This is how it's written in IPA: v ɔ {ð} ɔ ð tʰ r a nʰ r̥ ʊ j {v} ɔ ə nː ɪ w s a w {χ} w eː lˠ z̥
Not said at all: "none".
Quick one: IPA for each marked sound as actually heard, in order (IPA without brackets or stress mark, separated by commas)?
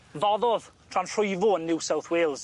ð, v, θ